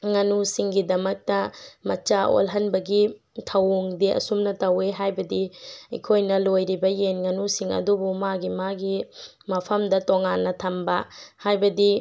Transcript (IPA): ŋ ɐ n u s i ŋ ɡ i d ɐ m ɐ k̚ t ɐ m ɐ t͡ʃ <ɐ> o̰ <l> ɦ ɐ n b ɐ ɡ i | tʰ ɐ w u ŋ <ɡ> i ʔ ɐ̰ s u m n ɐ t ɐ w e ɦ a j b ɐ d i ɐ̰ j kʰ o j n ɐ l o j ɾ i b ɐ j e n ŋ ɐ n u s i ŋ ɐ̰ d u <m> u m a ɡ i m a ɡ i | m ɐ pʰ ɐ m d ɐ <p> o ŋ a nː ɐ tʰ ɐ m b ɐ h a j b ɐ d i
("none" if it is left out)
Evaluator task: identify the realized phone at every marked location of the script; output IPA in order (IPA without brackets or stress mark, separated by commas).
a, l, d, b, t